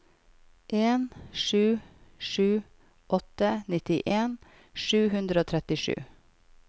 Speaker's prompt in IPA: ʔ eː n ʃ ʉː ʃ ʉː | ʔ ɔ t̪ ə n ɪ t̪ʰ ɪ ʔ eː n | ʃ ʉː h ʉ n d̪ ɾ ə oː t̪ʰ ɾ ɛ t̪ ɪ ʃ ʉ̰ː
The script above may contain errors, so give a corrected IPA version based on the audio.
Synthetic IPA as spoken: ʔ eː n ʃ ʉː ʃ ʉː | ʔ ɔ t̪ ə n ɪ t̪ ɪ ʔ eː n | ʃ ʉː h ʉ n d̪ ɾ ə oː t̪ʰ ɾ ɛ t̪ ɪ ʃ ʉ̰ː